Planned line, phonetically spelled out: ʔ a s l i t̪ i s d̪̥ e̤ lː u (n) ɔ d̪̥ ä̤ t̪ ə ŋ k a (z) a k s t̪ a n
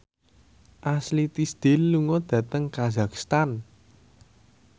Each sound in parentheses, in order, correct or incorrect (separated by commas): incorrect, correct